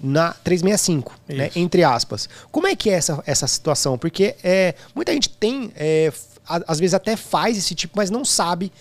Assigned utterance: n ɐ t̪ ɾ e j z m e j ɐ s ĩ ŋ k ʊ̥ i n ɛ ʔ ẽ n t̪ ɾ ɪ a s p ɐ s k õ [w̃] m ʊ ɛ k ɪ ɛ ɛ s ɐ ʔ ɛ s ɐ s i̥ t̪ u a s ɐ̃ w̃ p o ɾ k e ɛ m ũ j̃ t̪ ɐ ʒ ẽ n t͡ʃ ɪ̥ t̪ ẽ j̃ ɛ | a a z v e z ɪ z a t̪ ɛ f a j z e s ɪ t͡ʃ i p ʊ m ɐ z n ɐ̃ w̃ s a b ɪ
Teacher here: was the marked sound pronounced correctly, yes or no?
no